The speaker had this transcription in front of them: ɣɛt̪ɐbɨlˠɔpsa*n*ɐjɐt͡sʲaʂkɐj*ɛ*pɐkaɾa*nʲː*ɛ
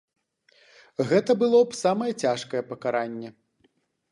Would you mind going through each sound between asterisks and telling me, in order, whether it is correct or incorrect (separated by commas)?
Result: incorrect, correct, correct